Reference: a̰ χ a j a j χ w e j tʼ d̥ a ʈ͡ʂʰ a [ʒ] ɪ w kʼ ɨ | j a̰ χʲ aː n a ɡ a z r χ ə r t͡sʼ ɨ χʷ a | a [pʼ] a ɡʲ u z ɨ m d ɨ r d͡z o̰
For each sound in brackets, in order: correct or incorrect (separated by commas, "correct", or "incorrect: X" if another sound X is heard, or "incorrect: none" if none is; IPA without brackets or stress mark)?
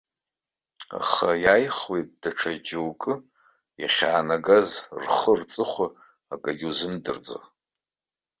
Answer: incorrect: d͡ʒ, incorrect: kʼ